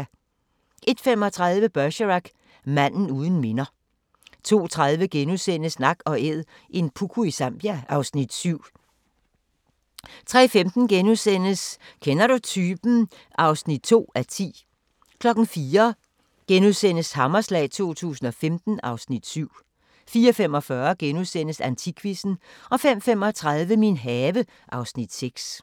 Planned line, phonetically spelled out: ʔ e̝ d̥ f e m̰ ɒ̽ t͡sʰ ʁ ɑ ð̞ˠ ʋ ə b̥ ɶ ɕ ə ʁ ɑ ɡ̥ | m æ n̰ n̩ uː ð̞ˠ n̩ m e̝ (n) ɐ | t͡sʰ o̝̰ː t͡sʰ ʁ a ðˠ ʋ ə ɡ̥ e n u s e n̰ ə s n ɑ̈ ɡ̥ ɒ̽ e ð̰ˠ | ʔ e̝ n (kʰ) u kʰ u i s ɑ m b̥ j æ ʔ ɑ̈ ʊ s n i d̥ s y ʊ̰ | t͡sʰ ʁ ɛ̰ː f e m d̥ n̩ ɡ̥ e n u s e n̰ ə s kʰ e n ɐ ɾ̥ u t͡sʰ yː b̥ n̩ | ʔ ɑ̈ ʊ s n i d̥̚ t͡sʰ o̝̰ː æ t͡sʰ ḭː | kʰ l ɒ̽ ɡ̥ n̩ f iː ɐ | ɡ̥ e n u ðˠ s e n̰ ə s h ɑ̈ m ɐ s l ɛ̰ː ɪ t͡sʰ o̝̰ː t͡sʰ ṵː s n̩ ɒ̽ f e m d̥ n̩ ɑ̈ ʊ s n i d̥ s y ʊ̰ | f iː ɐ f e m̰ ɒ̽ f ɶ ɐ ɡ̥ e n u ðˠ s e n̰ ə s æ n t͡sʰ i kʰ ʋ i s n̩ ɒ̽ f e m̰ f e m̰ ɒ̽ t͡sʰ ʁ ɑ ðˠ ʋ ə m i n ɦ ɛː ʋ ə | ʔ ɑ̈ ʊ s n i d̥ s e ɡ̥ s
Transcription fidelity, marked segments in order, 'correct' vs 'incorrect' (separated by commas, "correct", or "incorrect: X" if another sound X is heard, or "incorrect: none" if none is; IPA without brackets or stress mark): correct, incorrect: pʰ